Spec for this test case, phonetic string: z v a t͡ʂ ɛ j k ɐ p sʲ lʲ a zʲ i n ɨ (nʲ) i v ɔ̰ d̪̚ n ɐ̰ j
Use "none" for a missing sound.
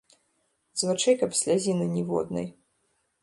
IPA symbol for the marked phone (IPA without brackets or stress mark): nʲ